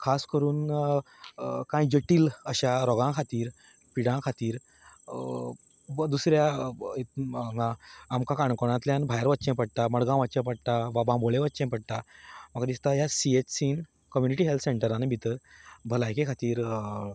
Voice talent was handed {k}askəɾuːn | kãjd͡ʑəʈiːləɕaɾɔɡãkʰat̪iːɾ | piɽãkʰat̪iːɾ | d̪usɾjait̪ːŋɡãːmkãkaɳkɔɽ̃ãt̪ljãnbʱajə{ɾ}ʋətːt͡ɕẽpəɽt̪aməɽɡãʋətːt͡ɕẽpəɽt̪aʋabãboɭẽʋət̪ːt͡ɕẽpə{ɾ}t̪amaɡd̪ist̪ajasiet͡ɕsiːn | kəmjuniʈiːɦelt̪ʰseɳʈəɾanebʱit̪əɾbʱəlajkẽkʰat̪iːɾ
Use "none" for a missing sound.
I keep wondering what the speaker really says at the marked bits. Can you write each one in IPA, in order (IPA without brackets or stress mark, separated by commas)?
kʰ, ɾ, ɽ